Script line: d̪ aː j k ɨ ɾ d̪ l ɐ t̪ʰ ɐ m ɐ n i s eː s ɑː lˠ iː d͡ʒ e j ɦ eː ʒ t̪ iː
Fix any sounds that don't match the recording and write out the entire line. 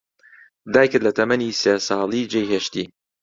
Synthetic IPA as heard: d̪ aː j k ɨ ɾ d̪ l ɐ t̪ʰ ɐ m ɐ n i s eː s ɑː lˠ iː d͡ʒ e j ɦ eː ʃ t̪ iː